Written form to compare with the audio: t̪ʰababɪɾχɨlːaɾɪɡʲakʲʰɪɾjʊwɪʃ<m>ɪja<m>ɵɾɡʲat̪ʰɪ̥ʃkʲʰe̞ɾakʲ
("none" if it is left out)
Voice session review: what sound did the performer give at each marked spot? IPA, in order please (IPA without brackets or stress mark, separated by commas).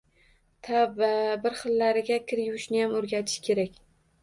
n, m